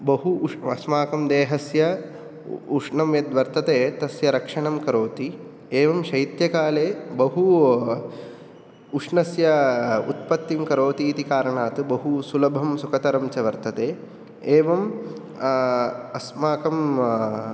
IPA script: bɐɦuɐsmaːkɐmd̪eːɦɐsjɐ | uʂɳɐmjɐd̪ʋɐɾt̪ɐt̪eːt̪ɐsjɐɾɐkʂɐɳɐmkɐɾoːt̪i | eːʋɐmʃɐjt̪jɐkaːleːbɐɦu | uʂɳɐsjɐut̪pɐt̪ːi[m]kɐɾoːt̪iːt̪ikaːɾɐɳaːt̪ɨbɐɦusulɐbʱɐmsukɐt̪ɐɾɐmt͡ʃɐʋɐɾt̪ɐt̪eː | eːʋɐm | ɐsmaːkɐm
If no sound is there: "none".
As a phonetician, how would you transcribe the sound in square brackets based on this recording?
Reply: m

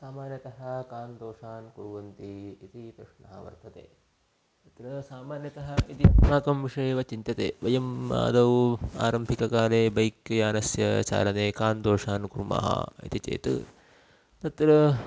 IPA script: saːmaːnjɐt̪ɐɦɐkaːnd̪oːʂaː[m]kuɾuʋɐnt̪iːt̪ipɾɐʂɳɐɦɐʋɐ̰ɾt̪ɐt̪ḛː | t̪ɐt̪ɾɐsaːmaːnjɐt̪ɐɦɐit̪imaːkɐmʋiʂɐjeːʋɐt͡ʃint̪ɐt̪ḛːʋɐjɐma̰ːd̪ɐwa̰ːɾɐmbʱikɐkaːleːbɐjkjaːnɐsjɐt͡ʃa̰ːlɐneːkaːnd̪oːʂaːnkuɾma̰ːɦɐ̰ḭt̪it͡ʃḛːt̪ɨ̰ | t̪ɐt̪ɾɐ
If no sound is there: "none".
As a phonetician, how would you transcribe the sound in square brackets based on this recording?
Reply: n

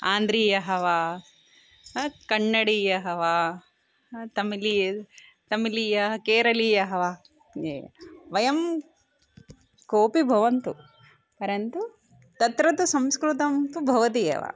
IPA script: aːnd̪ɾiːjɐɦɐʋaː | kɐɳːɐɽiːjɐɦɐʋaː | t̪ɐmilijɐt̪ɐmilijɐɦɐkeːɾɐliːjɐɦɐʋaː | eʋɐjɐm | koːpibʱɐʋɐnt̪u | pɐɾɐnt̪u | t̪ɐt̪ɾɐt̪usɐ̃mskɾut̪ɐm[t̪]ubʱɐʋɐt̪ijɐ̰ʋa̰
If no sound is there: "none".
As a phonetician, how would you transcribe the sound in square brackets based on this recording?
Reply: t̪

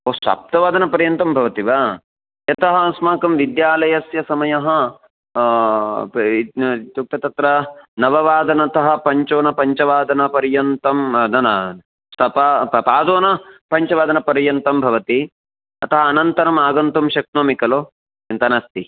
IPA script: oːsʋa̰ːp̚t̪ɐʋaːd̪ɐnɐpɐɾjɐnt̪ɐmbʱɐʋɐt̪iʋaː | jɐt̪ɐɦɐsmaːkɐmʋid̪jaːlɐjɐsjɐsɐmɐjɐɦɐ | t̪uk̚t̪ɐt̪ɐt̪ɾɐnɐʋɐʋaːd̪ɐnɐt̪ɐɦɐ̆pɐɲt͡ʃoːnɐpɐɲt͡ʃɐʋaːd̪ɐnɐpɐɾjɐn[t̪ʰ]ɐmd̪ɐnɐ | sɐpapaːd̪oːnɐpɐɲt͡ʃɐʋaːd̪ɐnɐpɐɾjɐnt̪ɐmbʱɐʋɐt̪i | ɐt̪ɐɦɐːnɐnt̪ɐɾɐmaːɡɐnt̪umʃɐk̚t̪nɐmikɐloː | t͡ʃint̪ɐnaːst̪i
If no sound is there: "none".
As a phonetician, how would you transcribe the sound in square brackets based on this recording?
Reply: t̪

